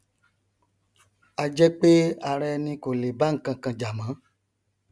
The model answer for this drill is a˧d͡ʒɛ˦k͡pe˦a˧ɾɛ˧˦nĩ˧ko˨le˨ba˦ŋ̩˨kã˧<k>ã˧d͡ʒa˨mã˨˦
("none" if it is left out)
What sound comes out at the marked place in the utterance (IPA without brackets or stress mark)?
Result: k